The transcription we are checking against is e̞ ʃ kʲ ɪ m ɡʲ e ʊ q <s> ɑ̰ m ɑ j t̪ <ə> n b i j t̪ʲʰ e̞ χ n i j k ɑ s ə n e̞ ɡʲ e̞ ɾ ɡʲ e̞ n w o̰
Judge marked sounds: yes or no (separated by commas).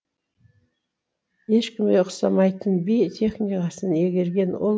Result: yes, yes